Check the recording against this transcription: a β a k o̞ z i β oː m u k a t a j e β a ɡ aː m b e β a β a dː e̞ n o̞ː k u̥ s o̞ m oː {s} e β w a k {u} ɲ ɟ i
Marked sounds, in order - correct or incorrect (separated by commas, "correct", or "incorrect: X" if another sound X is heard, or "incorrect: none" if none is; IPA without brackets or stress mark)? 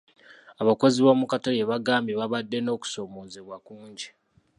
incorrect: z, incorrect: uː